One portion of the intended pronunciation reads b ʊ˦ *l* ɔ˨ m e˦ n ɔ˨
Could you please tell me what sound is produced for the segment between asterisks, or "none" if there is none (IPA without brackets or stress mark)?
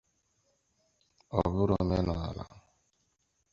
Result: ɾ